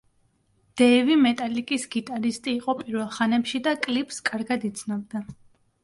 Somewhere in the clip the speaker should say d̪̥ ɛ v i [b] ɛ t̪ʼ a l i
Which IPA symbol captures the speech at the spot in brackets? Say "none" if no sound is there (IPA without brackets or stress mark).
m